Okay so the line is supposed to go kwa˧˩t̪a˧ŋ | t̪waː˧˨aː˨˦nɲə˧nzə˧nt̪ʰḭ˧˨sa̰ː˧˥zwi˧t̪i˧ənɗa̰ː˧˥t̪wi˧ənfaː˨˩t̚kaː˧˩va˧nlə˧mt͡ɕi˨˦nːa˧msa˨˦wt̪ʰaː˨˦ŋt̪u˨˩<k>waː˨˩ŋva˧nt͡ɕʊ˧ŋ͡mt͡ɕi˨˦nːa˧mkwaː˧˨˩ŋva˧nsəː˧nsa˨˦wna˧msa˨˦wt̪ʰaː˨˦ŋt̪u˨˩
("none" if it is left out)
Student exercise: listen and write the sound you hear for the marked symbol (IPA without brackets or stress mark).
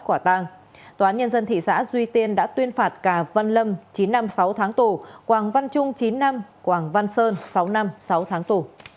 k